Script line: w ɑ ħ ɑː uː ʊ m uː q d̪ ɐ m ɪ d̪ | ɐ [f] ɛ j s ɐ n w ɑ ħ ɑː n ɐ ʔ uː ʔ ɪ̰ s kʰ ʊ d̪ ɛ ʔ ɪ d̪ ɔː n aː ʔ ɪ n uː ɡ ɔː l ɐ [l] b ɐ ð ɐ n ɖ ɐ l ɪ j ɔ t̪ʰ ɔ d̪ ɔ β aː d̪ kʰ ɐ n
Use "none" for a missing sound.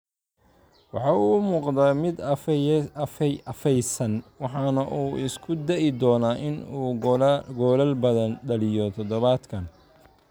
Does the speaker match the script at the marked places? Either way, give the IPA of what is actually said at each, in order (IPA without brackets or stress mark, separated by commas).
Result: f, l